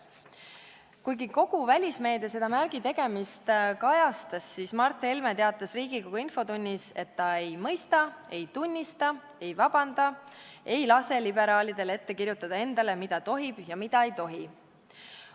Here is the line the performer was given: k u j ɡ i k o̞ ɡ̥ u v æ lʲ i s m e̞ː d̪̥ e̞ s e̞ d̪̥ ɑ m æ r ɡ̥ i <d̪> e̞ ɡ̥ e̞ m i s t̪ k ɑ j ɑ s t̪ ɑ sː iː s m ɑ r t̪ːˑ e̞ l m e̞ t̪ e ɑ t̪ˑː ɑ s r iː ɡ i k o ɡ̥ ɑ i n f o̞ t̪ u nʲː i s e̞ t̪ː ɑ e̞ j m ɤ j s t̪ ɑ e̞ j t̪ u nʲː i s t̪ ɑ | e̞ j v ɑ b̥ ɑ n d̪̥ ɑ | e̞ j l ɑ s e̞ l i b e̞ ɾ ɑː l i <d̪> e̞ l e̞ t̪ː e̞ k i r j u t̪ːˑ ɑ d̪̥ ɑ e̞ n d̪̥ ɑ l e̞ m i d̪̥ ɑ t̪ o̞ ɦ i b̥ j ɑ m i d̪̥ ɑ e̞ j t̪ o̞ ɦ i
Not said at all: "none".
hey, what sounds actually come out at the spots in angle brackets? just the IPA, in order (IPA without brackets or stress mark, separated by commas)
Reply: t̪, d̪